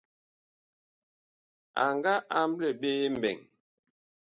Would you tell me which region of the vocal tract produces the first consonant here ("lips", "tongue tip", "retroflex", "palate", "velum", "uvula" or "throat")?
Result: velum